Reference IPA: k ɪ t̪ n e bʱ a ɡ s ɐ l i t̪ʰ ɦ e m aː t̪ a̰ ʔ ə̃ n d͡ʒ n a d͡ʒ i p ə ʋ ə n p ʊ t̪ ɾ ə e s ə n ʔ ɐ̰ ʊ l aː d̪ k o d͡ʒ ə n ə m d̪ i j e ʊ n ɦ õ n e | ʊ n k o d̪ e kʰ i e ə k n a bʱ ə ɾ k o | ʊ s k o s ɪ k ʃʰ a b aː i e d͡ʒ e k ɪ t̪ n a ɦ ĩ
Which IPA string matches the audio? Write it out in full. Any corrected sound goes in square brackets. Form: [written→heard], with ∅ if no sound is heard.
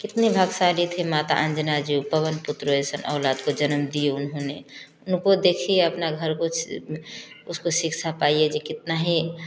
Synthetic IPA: k ɪ t̪ n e bʱ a ɡ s [ɐ→a] l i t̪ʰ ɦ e m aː t̪ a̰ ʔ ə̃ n d͡ʒ n a d͡ʒ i p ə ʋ ə n p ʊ t̪ ɾ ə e s ə n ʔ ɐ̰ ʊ l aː d̪ k o d͡ʒ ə n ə m d̪ i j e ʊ n ɦ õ n e | ʊ n k o d̪ e kʰ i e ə [k→p] n a [bʱ→ɡʱ] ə ɾ k o | ʊ s k o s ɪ k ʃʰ a [b→p] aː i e d͡ʒ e k ɪ t̪ n a ɦ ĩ

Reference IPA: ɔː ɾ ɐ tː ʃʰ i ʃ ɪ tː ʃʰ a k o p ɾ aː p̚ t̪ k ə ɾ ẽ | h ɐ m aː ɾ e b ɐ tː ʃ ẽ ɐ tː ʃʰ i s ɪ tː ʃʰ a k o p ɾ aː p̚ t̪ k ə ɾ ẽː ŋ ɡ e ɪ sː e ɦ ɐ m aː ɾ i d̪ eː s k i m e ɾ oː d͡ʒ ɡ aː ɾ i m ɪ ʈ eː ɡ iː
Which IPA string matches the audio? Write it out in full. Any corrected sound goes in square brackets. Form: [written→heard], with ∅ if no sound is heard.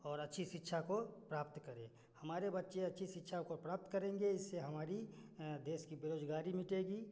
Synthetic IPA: ɔː ɾ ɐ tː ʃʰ i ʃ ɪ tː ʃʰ a k o p ɾ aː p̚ t̪ k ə ɾ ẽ | h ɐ m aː ɾ e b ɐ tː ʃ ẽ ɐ tː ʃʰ i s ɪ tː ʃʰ a k o p ɾ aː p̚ t̪ k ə ɾ ẽː ŋ ɡ e ɪ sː e ɦ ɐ m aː ɾ i d̪ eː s k i [m→b] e ɾ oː d͡ʒ ɡ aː ɾ i m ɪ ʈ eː ɡ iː

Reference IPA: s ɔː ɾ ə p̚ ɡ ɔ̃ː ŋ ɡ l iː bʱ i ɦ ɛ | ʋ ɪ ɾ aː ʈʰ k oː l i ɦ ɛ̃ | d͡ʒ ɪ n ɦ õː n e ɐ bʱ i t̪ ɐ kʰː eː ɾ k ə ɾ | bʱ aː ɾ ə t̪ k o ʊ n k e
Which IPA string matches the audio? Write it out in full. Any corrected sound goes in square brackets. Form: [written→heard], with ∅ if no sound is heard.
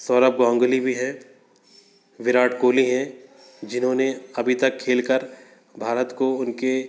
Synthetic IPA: s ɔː ɾ ə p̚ ɡ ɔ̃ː ŋ ɡ l [iː→i] bʱ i ɦ ɛ | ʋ ɪ ɾ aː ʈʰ k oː l i ɦ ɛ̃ | d͡ʒ ɪ n ɦ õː n e ɐ bʱ i t̪ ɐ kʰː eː [ɾ→l] k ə ɾ | bʱ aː ɾ ə t̪ k o ʊ n k e

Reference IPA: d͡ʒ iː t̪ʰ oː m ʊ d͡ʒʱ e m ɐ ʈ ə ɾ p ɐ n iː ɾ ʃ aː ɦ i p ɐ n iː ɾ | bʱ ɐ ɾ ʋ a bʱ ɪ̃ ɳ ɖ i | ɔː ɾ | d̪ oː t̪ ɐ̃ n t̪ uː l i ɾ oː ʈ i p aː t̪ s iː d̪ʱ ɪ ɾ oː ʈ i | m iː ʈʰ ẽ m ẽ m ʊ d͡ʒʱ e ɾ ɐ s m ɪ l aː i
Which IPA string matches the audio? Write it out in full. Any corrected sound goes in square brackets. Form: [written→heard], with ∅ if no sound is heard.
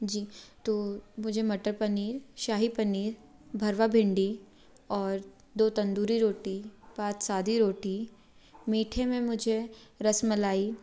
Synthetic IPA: d͡ʒ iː [t̪ʰ→t̪] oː m ʊ d͡ʒʱ e m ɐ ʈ ə ɾ p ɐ n iː ɾ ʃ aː ɦ i p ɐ n iː ɾ | bʱ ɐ ɾ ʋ a bʱ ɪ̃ ɳ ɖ i | ɔː ɾ | d̪ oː t̪ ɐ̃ n [t̪→d̪] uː [l→ɾ] i ɾ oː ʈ i p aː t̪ s [iː→aː] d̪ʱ [ɪ→i] ɾ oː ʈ i | m iː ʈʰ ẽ m ẽ m ʊ d͡ʒʱ e ɾ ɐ s m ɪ l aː i

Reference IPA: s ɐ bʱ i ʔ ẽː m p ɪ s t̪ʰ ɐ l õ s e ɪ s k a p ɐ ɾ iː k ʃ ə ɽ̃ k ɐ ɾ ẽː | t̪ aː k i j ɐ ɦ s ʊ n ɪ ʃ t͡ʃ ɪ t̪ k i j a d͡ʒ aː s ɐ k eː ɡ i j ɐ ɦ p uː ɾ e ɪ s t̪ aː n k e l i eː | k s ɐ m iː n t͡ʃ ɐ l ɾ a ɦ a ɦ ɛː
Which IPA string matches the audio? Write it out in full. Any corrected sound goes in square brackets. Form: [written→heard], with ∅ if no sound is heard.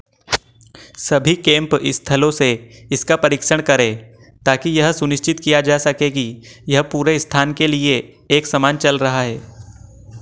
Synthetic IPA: s ɐ bʱ i [ʔ→k] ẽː m p ɪ s t̪ʰ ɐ l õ s e ɪ s k a p ɐ ɾ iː k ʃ ə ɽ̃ k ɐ ɾ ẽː | t̪ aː k i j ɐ ɦ s ʊ n ɪ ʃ t͡ʃ ɪ t̪ k i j a d͡ʒ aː s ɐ k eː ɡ i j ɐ ɦ p uː ɾ e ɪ s [t̪→t̪ʰ] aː n k e l i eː | k s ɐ m [iː→aː] n t͡ʃ ɐ l ɾ [a→ɐ] ɦ a ɦ ɛː

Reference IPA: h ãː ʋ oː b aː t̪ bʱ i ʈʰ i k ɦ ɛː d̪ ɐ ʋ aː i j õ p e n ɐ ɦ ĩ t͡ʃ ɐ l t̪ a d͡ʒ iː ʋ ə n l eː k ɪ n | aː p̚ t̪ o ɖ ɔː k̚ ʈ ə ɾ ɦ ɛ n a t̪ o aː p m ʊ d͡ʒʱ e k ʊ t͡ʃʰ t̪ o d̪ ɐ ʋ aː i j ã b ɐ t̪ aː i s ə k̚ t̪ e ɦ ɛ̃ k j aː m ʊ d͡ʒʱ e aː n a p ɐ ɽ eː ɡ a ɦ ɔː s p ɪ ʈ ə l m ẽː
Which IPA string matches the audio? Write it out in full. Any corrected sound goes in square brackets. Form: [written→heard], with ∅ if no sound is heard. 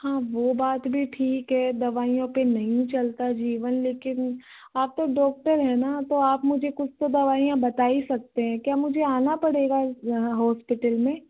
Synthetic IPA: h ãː ʋ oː b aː t̪ bʱ i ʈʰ [i→iː] k ɦ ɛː d̪ ɐ ʋ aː i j õ p e n ɐ ɦ ĩ t͡ʃ ɐ l t̪ a d͡ʒ iː ʋ ə n l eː k ɪ n | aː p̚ t̪ o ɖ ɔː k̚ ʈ ə ɾ ɦ ɛ n a t̪ o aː p m ʊ d͡ʒʱ e k ʊ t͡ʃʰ t̪ o d̪ ɐ ʋ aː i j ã b ɐ t̪ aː i s [ə→ɐ] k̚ t̪ e ɦ ɛ̃ k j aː m ʊ d͡ʒʱ e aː n a p ɐ ɽ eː ɡ a ɦ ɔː s p ɪ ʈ ə l m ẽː

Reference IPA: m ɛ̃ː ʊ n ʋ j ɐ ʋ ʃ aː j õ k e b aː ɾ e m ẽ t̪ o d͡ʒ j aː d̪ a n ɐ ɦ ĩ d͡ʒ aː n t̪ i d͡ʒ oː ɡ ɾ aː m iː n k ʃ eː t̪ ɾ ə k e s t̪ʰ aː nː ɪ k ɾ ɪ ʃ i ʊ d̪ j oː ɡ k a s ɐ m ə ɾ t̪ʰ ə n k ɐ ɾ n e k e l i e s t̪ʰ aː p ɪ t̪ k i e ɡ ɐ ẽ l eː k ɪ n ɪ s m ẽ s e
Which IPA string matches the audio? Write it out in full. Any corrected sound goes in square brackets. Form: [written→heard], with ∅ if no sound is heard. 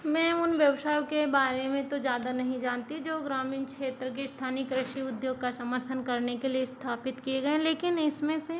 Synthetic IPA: m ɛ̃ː ʊ n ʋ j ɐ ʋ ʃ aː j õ k e b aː ɾ e m ẽ t̪ o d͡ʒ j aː d̪ a n ɐ ɦ ĩ d͡ʒ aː n t̪ i d͡ʒ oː ɡ ɾ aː m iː n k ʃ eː t̪ ɾ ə k e s t̪ʰ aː [nː→n] ɪ k ɾ ɪ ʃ i ʊ d̪ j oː ɡ k a s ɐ m ə ɾ t̪ʰ ə n k ɐ ɾ n e k e l i e s t̪ʰ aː p ɪ t̪ k i e ɡ ɐ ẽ l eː k ɪ n ɪ s m ẽ s e

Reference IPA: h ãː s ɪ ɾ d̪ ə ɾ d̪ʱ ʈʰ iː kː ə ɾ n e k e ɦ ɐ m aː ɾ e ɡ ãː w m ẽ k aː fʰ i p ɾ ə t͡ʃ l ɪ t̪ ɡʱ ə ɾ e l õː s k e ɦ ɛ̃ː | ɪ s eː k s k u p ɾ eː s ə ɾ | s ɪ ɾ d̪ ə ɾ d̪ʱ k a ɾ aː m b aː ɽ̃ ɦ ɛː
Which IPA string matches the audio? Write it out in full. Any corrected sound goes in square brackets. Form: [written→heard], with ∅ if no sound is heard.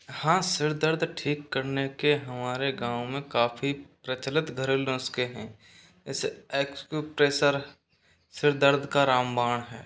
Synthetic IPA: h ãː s ɪ ɾ d̪ ə ɾ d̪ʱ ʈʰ iː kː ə ɾ n e k e ɦ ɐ m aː ɾ e ɡ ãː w m ẽ k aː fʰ i p ɾ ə t͡ʃ l ɪ t̪ ɡʱ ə ɾ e l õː s k e ɦ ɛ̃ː | ɪ s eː k s k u p ɾ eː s ə ɾ | s ɪ ɾ d̪ ə ɾ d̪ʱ k a ɾ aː m b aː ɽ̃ ɦ ɛː

